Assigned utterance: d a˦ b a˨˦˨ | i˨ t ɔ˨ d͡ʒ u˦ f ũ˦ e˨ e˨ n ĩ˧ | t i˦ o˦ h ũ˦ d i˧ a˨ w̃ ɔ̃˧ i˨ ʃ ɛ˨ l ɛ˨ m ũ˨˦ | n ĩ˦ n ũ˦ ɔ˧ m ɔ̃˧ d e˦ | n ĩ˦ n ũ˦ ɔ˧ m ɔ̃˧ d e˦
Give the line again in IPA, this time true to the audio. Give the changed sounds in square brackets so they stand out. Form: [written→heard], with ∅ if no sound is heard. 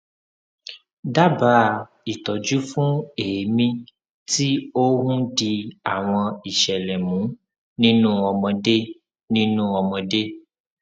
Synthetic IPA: d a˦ b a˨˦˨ | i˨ t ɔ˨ d͡ʒ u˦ f ũ˦ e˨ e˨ [n→m] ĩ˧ | t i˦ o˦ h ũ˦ d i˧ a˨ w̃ ɔ̃˧ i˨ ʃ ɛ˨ l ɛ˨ m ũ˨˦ | n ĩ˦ n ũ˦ ɔ˧ m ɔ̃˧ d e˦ | n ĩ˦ n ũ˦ ɔ˧ m ɔ̃˧ d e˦

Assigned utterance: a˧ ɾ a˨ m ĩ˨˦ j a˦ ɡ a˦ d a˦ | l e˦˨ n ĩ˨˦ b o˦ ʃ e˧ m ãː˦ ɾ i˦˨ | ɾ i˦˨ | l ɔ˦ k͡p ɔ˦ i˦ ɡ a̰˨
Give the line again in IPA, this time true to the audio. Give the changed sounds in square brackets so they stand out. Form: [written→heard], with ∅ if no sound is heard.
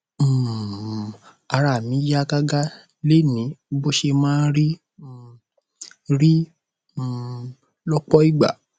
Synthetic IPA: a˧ ɾ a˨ m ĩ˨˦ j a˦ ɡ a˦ [d→ɡ] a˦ | l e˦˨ n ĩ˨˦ b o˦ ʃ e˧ m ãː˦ ɾ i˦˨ | ɾ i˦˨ | l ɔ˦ k͡p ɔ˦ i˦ [ɡ→ɡ͡b] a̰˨

